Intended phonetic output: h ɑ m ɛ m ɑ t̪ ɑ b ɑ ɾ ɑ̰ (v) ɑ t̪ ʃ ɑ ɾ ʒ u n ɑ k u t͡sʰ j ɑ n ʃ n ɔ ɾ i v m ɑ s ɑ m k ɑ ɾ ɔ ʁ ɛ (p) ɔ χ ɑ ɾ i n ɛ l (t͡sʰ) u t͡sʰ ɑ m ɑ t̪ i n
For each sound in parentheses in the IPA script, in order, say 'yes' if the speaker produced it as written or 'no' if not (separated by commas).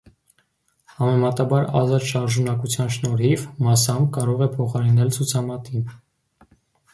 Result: no, no, yes